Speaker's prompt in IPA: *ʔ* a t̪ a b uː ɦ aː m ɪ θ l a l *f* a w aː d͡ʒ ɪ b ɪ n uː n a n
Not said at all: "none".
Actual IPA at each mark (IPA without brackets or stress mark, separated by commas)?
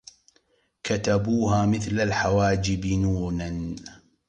k, ħ